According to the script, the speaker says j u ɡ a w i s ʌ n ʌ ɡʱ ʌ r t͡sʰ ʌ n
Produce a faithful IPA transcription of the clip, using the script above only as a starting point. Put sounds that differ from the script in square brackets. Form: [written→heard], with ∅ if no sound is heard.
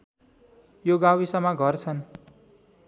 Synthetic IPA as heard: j [u→o] ɡ a w i s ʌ [n→m] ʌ ɡʱ ʌ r t͡sʰ ʌ n